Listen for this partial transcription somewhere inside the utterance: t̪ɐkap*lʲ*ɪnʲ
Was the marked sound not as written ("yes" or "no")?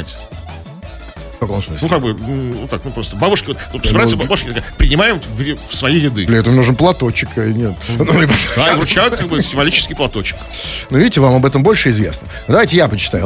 yes